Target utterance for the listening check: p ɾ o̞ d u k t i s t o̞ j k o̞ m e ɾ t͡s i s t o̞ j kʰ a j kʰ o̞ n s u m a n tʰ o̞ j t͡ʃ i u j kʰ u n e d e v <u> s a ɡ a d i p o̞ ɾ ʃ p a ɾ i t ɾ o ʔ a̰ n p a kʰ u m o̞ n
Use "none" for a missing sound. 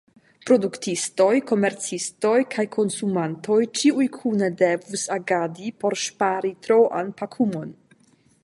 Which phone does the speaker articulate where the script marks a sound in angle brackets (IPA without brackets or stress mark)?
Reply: u